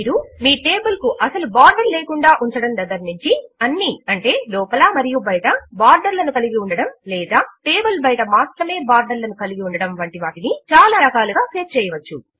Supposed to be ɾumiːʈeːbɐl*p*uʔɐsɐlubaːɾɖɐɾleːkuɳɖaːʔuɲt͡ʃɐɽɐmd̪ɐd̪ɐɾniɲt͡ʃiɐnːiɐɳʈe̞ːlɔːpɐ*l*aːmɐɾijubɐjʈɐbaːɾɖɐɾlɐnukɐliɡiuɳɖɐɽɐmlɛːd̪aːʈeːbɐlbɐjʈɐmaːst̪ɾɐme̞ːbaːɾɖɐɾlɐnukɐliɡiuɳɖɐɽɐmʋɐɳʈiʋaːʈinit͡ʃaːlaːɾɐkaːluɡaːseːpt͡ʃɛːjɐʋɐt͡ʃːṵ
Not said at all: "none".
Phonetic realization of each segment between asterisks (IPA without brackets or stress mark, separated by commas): k, l